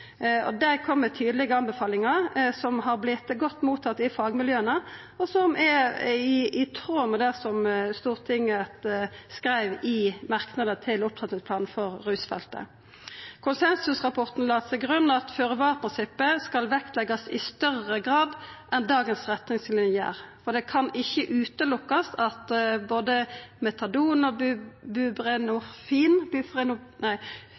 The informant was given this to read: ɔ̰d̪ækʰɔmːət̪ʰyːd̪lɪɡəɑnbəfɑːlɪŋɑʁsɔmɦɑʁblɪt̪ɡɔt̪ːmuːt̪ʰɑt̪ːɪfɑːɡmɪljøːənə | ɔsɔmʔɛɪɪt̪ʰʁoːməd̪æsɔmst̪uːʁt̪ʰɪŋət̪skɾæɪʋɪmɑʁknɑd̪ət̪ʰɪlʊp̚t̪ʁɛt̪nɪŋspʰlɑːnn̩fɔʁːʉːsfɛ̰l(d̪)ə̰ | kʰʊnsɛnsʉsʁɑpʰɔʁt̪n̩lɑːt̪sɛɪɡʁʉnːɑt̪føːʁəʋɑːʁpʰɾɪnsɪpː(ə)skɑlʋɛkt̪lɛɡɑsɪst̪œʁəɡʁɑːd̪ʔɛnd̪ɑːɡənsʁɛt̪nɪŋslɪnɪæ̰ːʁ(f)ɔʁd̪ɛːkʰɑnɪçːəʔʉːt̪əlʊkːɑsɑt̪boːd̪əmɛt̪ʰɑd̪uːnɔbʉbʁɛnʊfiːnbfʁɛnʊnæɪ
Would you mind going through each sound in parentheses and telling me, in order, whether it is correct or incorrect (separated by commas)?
incorrect, correct, correct